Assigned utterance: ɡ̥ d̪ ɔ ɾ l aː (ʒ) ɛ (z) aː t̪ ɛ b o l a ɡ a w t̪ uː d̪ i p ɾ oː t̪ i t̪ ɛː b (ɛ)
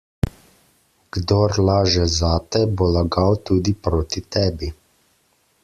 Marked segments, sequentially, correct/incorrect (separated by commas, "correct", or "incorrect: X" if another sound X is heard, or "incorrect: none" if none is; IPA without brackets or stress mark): correct, correct, incorrect: i